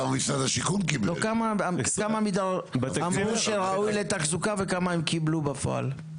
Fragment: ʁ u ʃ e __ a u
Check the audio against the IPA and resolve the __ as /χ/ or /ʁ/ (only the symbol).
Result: ʁ